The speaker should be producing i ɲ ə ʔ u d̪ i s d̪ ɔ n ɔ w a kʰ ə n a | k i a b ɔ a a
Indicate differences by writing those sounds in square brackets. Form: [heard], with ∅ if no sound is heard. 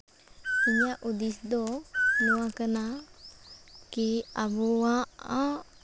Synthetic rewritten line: i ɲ [a] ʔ u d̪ i s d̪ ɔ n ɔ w a [k] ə n a | k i a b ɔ a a